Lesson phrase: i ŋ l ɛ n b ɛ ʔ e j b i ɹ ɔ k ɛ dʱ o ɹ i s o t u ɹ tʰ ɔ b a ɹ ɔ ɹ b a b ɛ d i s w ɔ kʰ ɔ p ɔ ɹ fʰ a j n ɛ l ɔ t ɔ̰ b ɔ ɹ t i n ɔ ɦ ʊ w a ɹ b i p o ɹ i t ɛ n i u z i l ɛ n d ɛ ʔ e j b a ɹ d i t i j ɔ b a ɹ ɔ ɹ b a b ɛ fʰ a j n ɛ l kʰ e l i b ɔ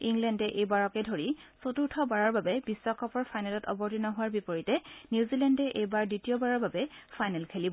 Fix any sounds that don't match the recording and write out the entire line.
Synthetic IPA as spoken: i ŋ l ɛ n d ɛ ʔ e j b a ɹ ɔ k ɛ dʱ o ɹ i s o t u ɹ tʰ ɔ b a ɹ ɔ ɹ b a b ɛ b i s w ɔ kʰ ɔ p ɔ ɹ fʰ a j n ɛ l ɔ t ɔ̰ b ɔ ɹ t i n ɔ ɦ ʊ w a ɹ b i p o ɹ i t ɛ n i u z i l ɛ n d ɛ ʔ e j b a ɹ d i t i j ɔ b a ɹ ɔ ɹ b a b ɛ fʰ a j n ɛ l kʰ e l i b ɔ